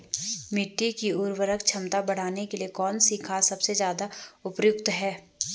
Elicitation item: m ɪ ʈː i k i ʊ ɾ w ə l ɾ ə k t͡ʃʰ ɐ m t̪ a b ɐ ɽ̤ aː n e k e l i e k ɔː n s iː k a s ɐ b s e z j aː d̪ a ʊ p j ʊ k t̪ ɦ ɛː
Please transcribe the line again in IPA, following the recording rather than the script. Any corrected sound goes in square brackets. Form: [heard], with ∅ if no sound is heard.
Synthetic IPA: m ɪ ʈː i k i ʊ ɾ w ə [∅] ɾ ə k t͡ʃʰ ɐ m t̪ a b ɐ ɽ̤ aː n e k e l i e k ɔː n s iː [kʰ] a s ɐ b s e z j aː d̪ a ʊ p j ʊ k t̪ ɦ ɛː